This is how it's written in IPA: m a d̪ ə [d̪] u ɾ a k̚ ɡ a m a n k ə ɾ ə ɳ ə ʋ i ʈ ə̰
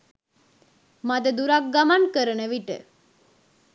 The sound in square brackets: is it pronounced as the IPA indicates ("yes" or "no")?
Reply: yes